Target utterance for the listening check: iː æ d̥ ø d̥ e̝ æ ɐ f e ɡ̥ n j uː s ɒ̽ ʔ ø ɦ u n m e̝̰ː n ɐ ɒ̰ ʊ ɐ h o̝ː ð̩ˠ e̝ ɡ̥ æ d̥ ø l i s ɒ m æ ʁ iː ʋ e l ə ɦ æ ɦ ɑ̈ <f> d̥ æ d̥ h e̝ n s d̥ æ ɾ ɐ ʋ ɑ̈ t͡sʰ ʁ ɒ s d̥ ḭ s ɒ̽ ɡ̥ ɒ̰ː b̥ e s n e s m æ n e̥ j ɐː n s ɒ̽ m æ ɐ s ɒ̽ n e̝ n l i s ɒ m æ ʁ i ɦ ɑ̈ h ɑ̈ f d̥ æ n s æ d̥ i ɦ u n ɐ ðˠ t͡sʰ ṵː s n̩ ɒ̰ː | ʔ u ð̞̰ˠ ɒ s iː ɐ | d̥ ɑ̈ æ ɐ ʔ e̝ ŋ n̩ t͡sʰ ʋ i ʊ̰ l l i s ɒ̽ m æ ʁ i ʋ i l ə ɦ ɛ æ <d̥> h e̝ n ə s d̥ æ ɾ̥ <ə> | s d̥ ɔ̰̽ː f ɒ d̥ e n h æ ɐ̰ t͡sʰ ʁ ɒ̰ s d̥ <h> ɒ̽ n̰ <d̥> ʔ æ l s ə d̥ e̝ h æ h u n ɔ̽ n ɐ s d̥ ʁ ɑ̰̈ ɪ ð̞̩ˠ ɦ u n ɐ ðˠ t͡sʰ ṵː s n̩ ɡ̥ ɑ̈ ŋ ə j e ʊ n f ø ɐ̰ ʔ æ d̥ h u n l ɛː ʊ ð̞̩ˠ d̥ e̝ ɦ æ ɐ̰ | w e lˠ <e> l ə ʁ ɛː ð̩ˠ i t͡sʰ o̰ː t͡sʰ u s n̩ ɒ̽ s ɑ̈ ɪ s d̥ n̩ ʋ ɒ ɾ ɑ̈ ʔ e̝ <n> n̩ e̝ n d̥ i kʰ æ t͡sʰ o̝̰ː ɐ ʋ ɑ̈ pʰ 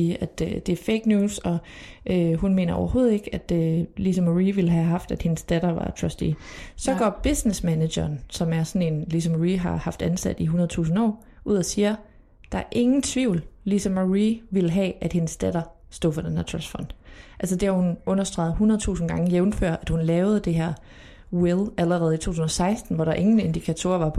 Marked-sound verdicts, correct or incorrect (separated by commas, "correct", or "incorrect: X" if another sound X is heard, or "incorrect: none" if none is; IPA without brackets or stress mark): correct, correct, incorrect: ɐ, incorrect: f, correct, incorrect: æ, incorrect: ŋ